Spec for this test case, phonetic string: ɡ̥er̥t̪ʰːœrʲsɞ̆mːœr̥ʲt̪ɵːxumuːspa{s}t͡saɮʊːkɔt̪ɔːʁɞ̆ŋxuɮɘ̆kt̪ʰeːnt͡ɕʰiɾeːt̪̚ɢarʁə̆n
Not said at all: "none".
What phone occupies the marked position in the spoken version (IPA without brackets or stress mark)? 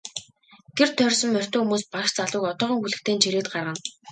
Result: ʃ